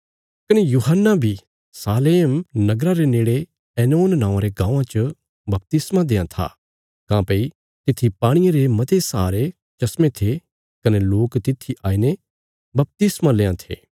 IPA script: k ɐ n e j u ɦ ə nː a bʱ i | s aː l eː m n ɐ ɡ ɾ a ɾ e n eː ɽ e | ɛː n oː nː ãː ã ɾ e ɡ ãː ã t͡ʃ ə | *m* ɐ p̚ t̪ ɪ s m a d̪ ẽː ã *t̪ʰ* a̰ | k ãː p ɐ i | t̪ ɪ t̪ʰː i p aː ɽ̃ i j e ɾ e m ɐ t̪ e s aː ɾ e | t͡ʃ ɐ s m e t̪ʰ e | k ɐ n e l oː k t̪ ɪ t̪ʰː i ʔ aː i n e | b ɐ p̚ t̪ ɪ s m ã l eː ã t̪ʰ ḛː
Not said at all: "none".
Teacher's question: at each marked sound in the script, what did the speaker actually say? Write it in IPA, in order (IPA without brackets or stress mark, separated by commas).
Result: b, t̪ʰ